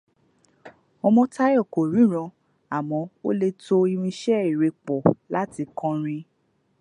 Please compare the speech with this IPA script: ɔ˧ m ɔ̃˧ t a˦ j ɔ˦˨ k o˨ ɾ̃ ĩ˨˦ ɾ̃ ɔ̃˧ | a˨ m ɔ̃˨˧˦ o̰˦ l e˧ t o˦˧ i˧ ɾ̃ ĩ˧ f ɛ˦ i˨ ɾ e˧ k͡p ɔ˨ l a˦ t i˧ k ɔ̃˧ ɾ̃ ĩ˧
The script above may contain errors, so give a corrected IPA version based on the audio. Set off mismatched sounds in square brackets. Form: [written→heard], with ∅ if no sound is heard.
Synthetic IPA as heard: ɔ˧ m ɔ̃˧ t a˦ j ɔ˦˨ k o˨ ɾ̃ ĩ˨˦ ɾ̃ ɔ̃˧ | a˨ m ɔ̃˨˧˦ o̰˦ l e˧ t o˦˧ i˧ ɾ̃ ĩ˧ [f→ʃ] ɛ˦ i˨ ɾ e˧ k͡p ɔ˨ l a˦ t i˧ k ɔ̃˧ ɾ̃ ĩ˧